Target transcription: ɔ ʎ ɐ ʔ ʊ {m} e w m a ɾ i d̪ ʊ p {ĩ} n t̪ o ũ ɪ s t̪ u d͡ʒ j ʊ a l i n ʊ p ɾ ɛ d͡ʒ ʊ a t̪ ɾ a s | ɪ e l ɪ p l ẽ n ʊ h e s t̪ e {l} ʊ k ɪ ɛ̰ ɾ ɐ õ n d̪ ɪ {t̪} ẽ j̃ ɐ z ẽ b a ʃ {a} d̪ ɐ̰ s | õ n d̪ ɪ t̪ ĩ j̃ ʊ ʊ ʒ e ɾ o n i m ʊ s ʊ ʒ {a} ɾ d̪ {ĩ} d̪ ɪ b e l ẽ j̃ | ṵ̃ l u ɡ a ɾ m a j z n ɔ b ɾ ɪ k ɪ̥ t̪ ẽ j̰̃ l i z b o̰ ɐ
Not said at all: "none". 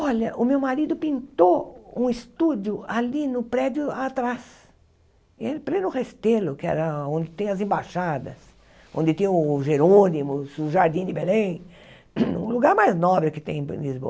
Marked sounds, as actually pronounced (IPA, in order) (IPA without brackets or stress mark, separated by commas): m, ĩ, l, t̪, a, a, ĩ